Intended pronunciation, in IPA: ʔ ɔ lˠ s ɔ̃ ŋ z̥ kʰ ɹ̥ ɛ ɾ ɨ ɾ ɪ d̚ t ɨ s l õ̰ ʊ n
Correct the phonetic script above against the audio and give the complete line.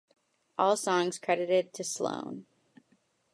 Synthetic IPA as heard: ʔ ɔ lˠ s ɔ̃ ŋ z̥ kʰ ɹ̥ ɛ ɾ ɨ ɾ ɪ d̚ tʰ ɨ s l õ̰ ʊ̃ n